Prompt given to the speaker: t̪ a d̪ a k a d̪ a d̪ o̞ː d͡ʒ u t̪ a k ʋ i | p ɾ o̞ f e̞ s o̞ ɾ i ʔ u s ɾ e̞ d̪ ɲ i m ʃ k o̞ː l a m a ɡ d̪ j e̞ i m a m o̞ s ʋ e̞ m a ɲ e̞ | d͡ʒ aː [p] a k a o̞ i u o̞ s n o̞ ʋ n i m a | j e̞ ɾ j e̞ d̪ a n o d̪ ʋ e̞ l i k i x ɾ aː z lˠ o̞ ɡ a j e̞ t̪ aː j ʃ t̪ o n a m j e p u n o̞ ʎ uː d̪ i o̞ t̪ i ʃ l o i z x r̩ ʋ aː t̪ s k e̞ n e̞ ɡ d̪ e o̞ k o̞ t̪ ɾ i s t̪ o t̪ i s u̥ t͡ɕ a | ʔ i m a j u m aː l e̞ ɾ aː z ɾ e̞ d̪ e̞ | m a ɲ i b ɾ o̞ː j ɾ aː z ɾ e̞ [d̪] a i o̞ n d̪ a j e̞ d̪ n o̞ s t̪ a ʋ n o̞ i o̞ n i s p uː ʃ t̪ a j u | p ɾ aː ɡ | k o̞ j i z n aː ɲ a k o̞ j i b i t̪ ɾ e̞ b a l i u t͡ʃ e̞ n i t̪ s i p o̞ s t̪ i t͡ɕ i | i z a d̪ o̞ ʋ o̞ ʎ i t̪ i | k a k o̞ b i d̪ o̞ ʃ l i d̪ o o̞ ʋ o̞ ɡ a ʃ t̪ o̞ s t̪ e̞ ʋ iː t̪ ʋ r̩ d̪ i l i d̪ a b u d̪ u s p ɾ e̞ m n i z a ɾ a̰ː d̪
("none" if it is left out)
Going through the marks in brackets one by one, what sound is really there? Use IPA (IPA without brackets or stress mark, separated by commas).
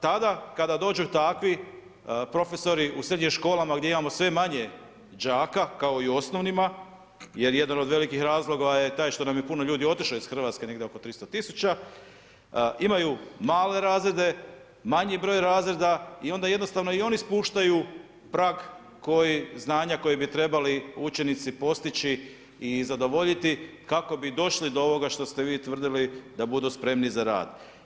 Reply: k, d̪